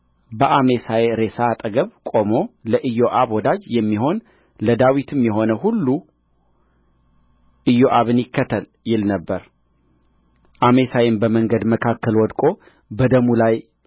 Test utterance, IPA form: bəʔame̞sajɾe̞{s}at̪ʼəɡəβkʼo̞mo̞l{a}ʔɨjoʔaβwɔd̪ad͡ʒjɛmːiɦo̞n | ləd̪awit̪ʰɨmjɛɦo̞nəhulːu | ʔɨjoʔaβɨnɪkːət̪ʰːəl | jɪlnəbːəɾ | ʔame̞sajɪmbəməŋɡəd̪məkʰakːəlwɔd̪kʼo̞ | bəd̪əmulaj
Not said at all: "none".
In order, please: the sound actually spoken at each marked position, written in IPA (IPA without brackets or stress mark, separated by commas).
s, ə